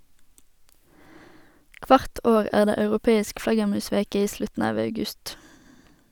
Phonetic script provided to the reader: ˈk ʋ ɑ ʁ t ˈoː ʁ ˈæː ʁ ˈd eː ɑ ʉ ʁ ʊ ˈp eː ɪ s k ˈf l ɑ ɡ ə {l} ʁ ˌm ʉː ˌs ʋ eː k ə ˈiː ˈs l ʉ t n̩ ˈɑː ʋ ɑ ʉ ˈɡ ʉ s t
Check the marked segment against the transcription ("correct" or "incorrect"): incorrect